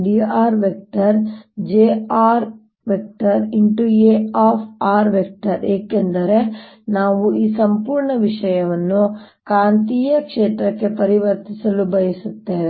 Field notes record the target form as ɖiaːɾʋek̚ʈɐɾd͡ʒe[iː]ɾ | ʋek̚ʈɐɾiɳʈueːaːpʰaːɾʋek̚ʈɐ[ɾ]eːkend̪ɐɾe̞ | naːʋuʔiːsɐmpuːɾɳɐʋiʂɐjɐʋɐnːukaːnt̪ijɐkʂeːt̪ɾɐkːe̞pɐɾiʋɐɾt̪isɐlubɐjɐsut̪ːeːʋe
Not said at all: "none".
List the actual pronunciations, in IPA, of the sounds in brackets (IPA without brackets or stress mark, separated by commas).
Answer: aː, ɾ